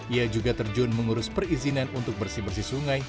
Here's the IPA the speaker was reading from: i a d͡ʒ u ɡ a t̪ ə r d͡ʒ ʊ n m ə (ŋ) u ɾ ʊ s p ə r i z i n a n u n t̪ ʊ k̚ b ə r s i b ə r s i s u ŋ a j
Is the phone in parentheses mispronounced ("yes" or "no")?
no